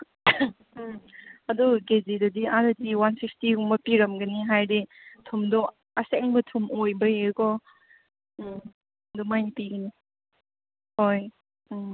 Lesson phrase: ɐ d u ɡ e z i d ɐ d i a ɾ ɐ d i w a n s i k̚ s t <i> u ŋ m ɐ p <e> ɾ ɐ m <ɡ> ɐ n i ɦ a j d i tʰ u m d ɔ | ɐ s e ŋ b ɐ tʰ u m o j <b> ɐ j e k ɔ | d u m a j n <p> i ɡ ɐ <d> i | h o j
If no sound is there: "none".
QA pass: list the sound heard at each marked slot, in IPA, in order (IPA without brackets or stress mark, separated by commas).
i, i, ɡ, b, p, n